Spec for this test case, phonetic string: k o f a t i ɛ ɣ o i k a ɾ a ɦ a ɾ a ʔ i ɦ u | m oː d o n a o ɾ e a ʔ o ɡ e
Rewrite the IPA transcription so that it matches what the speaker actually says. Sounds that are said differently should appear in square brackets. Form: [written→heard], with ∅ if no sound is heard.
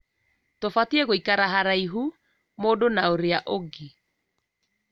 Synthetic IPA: [k→t] o f a t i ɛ ɣ o i k a ɾ a ɦ a ɾ a [ʔ→∅] i ɦ u | m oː d o n a o ɾ e a ʔ o ɡ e